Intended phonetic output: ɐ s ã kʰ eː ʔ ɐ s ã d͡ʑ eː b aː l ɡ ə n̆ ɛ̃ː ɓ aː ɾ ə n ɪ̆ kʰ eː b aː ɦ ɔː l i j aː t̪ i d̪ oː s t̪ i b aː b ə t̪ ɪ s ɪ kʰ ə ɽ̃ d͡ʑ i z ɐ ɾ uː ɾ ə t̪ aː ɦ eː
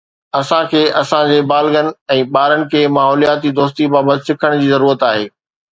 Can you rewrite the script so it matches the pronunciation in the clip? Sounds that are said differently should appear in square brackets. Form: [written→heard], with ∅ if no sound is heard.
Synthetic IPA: ɐ s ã kʰ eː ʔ ɐ s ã d͡ʑ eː b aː l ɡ ə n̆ ɛ̃ː ɓ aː ɾ ə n ɪ̆ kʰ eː [b→m] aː ɦ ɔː l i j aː t̪ i d̪ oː s t̪ i b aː b ə t̪ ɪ s ɪ kʰ ə ɽ̃ d͡ʑ [i→iː] z ɐ ɾ uː ɾ ə t̪ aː ɦ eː